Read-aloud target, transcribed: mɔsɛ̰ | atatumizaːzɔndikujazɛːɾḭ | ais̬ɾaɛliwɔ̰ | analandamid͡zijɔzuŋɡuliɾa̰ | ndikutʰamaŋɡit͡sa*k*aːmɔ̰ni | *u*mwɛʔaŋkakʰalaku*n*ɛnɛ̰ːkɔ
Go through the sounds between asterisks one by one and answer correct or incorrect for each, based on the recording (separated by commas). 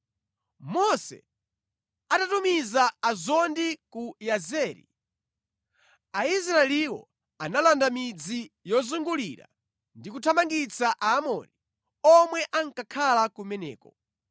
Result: incorrect, incorrect, incorrect